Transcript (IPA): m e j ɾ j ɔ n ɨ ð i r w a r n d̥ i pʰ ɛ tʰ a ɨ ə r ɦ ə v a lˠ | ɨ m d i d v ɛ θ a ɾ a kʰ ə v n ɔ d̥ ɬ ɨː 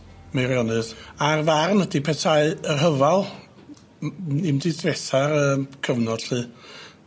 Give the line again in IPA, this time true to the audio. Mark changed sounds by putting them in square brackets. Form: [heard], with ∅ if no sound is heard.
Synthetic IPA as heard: m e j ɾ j ɔ n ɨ ð [a] r [v] a r n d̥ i pʰ ɛ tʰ a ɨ ə r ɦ ə v a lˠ | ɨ m d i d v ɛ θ a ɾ [ə] kʰ ə v n ɔ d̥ ɬ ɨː